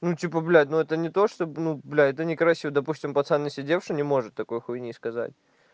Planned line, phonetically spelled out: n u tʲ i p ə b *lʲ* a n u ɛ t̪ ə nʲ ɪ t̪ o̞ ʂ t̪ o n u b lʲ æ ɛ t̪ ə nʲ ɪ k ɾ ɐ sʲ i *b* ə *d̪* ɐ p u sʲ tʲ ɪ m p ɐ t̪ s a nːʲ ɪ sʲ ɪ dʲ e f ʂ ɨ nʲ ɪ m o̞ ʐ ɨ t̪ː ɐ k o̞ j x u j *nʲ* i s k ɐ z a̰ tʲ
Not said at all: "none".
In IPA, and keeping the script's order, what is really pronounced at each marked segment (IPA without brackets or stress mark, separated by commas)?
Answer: lʲ, v, d̪, nʲ